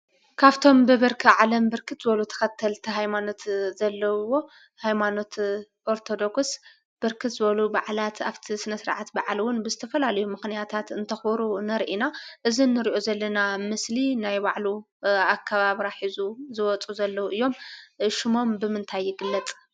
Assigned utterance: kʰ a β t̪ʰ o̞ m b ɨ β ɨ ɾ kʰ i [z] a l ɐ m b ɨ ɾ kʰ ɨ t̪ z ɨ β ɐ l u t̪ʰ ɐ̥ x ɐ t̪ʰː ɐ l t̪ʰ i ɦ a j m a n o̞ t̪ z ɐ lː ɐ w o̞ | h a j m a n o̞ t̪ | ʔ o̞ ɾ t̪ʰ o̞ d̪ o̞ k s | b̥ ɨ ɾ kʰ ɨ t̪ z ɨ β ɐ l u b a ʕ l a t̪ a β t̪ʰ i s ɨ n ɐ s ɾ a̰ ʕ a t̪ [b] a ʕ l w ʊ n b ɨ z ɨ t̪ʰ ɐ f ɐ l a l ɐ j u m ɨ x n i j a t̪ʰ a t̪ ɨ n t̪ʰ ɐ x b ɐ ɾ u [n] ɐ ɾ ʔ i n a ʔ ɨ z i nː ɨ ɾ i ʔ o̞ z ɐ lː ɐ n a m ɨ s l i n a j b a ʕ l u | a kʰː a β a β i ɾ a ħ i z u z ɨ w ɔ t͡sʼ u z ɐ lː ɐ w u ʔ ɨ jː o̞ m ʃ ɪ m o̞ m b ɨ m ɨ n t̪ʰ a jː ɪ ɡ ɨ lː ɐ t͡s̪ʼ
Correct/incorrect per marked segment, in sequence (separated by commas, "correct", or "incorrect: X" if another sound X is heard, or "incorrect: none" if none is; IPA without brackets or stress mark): incorrect: ʕ, correct, correct